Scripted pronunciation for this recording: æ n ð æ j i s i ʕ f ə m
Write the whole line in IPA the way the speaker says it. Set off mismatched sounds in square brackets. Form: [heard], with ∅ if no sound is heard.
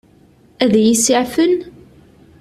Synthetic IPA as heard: æ [∅] ð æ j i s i ʕ f ə [n]